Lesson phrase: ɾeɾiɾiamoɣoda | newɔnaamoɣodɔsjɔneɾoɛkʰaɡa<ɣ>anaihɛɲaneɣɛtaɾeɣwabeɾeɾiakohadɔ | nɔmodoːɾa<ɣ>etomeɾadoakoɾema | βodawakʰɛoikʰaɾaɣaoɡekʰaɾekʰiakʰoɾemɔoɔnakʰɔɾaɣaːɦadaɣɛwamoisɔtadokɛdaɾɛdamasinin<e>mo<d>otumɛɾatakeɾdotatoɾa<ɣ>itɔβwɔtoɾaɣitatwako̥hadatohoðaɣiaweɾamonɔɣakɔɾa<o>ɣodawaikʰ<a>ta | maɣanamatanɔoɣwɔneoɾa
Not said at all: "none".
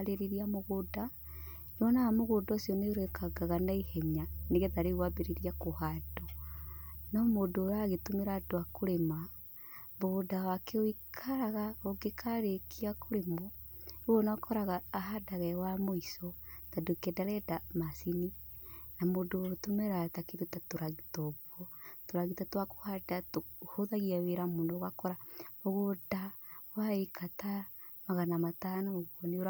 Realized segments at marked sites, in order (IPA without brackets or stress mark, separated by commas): ɣ, ɣ, a, d, ɣ, o, a